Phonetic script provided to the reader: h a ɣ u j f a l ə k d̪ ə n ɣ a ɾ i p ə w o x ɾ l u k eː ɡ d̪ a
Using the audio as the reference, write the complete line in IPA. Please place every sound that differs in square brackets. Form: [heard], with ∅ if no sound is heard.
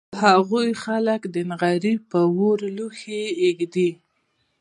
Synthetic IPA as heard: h a ɣ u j [x] a l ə k d̪ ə n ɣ a ɾ i p ə w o [∅] ɾ l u [x] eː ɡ d̪ [i]